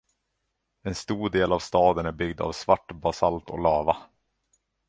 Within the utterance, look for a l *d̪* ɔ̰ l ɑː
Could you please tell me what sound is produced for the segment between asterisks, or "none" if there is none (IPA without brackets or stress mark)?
t̪